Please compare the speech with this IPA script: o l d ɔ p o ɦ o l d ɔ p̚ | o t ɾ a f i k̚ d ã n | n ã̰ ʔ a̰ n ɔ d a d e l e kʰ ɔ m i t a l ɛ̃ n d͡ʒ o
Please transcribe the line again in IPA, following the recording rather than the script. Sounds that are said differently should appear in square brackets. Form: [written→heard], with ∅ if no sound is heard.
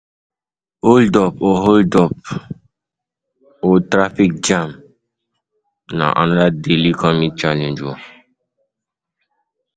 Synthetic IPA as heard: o l d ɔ p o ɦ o l d ɔ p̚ | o t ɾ a f i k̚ [d→d͡ʒ] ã [n→m] | n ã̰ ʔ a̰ n ɔ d a d e l [e→i] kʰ ɔ m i [t→t͡ʃ] a l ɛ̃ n d͡ʒ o